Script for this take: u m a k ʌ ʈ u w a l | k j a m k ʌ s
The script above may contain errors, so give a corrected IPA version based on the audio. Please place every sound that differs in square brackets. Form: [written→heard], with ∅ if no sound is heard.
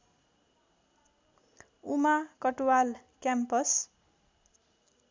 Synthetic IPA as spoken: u m a k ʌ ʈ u w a l | k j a m [k→p] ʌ s